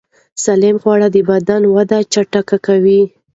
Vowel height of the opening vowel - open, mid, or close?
open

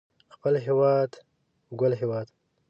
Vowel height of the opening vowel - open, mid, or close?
mid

